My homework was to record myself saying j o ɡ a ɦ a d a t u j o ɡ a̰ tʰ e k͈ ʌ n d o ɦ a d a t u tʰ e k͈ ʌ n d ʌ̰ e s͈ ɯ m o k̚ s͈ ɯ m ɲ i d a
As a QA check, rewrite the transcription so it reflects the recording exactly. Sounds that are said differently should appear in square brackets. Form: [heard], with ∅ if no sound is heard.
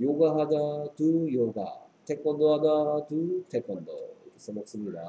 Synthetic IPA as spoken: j o ɡ a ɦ a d a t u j o ɡ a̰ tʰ e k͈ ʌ n d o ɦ a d a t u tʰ e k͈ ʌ n d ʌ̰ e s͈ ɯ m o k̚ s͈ ɯ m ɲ i d a